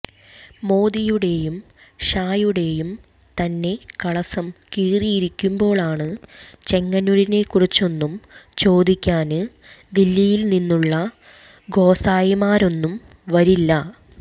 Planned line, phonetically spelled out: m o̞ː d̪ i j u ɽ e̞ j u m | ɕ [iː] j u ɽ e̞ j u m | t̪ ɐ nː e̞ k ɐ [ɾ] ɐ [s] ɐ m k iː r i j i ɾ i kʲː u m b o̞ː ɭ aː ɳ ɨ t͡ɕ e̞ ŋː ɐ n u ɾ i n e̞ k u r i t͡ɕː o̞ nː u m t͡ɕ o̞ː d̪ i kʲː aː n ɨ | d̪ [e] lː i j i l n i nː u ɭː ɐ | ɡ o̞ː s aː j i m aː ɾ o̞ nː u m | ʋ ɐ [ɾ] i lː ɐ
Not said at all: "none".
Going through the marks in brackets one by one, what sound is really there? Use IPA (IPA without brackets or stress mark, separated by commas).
aː, ɭ, s, i, ɾ